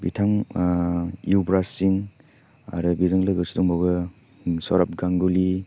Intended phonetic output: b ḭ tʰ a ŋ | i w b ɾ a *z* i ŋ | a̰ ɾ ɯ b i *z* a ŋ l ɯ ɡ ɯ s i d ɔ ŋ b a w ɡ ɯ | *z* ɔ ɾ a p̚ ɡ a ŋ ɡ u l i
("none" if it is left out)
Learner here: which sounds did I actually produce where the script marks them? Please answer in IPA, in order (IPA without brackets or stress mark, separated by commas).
s, z, s